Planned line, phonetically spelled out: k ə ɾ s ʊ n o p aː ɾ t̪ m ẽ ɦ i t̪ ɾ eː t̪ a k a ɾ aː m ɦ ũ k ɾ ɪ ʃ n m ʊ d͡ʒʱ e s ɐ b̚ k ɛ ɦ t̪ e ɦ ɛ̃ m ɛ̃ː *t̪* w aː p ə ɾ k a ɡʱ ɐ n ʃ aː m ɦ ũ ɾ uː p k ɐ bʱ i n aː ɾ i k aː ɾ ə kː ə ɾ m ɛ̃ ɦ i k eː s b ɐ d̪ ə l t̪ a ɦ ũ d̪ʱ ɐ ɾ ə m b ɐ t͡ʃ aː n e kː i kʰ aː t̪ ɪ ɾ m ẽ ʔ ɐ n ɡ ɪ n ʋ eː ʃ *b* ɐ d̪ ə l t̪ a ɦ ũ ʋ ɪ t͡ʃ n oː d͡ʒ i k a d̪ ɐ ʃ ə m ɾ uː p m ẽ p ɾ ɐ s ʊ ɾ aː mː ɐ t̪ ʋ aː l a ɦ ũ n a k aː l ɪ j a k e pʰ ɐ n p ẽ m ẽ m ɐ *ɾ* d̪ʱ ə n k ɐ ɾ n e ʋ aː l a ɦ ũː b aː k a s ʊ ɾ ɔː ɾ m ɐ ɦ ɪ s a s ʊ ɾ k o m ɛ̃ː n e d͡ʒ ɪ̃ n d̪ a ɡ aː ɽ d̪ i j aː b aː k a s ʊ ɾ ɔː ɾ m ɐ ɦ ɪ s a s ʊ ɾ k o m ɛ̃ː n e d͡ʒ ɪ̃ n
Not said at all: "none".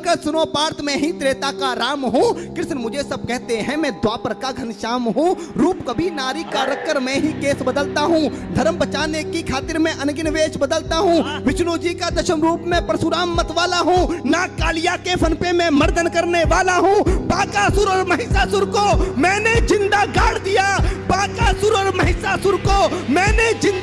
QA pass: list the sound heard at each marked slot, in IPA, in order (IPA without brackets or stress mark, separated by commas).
d̪, b, ɾ